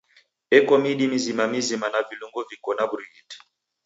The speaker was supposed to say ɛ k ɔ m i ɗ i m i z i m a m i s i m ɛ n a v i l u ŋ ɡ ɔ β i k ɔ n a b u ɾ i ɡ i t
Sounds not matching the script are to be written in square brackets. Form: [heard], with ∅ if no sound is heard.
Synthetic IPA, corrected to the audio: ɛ k ɔ m i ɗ i m i z i m a m i [z] i m [a] n a v i l u ŋ ɡ ɔ [v] i k ɔ n a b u ɾ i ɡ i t